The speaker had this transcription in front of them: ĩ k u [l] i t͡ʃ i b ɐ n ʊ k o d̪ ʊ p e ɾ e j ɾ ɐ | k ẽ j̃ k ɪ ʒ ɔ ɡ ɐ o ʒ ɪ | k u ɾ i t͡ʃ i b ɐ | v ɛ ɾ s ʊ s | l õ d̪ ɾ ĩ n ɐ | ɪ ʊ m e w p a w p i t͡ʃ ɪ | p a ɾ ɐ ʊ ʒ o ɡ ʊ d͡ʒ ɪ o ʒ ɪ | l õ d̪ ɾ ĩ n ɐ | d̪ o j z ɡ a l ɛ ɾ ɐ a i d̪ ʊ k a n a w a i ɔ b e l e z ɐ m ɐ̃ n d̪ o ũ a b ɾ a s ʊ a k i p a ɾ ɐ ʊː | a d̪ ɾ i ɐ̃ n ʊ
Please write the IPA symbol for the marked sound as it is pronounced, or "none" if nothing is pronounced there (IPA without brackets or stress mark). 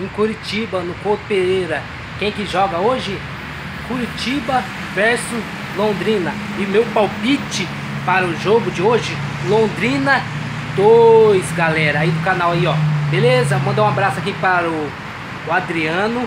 ɾ